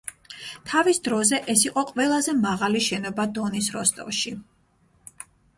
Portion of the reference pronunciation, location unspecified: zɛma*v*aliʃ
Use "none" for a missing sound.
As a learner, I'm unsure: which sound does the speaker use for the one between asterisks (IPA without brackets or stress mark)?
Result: ʁ